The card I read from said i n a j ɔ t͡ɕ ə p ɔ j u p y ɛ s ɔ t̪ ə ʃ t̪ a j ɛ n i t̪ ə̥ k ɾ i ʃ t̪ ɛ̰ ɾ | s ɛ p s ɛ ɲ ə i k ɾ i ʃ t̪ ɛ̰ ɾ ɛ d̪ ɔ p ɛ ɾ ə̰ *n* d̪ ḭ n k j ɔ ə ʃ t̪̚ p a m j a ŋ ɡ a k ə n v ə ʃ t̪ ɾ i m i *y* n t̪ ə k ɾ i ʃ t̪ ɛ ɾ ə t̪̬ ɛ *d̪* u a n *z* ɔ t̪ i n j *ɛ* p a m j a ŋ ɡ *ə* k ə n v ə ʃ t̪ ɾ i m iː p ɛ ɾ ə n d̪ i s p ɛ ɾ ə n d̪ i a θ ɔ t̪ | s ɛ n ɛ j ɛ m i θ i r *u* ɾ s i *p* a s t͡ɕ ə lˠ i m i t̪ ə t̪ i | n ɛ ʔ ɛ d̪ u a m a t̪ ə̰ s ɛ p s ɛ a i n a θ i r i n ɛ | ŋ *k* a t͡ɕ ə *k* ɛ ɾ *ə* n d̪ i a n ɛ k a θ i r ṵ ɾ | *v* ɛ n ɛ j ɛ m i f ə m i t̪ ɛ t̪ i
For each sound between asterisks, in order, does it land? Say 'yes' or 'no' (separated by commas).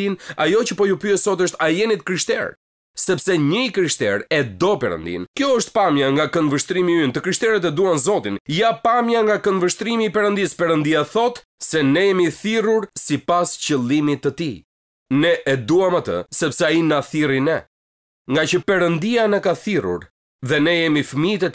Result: yes, yes, yes, yes, no, no, yes, yes, no, no, yes, no